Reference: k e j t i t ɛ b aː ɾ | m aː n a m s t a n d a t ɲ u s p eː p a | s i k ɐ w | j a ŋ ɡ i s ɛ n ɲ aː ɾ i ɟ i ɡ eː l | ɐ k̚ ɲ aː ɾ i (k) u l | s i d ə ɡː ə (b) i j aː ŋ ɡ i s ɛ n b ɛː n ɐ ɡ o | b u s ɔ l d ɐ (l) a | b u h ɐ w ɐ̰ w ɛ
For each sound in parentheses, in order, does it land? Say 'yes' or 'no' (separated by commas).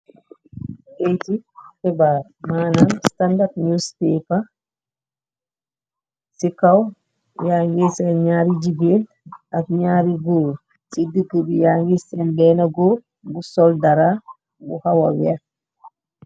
no, yes, no